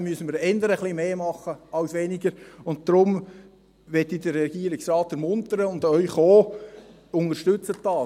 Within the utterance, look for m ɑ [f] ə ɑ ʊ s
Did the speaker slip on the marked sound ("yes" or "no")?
yes